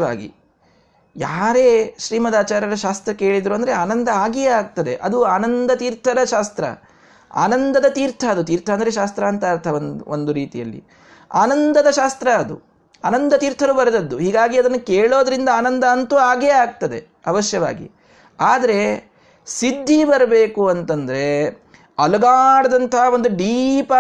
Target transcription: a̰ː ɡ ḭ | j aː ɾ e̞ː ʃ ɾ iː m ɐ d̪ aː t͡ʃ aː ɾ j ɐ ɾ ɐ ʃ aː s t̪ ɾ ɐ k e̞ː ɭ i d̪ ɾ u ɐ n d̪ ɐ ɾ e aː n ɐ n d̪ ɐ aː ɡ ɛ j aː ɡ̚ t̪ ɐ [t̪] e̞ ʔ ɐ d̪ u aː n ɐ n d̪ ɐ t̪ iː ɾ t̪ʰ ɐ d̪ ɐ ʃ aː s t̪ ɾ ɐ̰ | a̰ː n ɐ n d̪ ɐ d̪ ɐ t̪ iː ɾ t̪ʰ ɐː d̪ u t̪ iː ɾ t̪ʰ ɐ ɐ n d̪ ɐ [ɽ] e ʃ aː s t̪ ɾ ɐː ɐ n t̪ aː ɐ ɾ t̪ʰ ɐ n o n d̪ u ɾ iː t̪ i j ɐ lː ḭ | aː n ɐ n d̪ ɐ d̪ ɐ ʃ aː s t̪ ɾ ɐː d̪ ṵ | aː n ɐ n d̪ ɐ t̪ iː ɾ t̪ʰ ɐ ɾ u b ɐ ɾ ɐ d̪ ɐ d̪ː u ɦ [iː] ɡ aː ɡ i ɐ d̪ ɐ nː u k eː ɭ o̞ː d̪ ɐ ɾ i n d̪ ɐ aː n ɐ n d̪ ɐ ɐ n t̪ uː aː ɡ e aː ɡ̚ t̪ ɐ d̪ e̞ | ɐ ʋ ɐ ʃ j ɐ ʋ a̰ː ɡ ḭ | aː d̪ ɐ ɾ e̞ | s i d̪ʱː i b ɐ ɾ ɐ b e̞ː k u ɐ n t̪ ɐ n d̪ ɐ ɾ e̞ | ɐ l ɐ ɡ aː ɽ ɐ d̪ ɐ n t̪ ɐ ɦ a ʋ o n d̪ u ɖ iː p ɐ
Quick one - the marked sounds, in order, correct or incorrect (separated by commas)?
incorrect, incorrect, correct